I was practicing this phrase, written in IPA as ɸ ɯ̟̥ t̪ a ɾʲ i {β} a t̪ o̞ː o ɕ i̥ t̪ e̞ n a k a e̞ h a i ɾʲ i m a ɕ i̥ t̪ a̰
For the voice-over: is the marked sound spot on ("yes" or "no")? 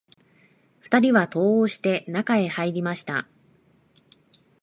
yes